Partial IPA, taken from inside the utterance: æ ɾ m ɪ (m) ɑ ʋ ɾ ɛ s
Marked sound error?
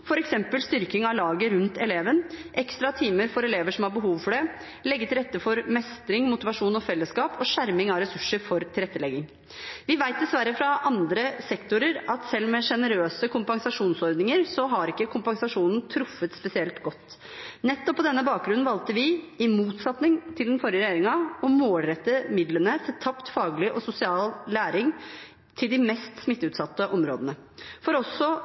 yes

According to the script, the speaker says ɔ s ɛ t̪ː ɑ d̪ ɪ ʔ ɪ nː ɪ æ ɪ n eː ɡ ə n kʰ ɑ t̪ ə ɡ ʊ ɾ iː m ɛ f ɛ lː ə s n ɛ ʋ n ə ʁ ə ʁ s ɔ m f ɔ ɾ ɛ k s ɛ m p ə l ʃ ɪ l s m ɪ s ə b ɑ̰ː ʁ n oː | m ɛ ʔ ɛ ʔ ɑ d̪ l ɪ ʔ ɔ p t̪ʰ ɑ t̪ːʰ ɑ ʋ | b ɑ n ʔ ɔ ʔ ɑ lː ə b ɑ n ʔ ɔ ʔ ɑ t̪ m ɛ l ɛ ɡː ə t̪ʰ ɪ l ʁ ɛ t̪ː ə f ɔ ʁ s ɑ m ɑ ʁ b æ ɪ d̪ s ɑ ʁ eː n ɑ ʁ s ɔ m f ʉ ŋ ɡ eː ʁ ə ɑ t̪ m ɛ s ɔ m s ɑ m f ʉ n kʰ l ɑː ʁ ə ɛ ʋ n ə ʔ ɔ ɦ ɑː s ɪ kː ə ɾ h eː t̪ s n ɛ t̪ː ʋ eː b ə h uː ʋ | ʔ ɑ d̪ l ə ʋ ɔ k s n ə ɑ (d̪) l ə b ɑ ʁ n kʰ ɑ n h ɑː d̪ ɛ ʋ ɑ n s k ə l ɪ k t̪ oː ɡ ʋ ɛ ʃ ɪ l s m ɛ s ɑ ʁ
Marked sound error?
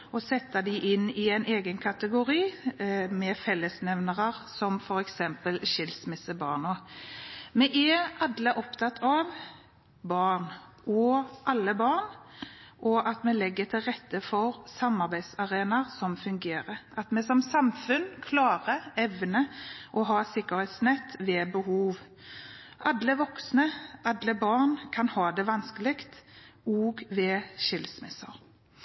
no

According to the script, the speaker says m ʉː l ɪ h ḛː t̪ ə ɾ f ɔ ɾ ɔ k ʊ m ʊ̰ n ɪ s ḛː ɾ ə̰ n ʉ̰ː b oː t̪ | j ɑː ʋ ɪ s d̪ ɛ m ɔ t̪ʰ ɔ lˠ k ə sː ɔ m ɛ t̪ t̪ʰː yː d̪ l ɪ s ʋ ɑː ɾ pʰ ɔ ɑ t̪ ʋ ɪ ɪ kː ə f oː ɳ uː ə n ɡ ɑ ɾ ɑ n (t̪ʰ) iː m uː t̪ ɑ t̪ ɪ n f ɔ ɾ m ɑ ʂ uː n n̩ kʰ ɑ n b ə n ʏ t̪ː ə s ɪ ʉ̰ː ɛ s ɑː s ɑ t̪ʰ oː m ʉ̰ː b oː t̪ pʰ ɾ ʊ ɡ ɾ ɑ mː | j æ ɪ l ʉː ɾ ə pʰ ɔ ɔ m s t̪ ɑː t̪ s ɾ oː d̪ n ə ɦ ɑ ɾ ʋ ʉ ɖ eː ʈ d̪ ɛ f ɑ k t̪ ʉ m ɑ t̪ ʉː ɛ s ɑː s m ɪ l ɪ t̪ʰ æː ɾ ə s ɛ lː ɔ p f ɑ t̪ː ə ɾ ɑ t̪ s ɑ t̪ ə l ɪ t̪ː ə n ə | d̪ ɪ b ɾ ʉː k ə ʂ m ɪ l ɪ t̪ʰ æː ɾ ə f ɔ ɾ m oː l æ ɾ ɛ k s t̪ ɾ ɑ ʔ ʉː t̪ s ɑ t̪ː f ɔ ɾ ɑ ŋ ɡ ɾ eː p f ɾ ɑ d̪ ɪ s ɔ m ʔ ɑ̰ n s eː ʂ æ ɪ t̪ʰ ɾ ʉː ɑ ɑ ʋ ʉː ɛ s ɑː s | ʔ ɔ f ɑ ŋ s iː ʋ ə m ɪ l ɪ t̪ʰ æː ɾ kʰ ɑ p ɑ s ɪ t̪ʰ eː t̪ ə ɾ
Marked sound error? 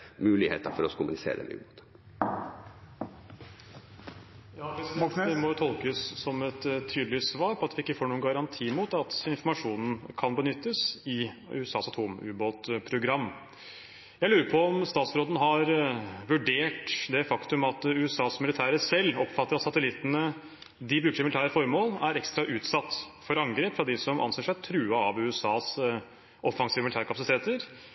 no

